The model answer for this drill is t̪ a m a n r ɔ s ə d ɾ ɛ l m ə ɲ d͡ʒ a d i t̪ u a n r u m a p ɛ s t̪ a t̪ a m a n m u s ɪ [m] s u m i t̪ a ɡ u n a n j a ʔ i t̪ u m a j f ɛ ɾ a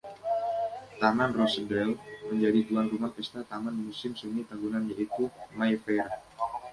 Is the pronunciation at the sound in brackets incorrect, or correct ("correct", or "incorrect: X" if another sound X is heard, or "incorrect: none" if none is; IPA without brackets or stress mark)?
correct